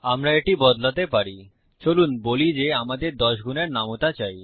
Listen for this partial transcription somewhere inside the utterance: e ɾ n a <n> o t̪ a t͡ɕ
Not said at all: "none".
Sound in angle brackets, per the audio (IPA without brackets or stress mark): m